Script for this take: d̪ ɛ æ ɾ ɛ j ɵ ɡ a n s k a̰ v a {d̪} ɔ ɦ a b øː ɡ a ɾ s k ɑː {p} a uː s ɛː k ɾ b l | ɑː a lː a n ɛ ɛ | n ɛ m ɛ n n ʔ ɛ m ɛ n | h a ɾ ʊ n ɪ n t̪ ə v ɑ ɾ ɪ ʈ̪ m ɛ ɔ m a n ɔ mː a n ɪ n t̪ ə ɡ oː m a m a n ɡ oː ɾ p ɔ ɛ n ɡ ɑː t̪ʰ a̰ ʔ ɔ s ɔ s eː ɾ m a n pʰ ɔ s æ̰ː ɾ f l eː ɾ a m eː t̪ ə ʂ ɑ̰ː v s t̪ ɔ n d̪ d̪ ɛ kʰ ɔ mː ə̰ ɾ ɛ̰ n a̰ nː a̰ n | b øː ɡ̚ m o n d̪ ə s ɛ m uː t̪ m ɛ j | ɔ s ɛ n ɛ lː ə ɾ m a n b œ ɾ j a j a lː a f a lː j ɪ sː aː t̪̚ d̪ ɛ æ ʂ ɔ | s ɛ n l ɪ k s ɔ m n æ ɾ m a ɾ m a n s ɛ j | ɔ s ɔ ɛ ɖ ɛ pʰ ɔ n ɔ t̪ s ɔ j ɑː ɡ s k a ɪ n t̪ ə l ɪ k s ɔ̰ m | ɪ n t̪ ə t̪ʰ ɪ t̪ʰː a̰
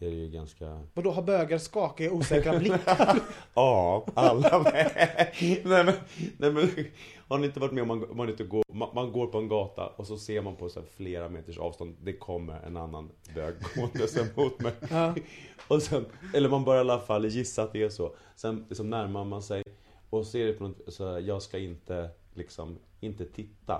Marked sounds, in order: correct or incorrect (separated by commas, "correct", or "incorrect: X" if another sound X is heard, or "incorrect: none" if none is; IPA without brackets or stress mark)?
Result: correct, incorrect: k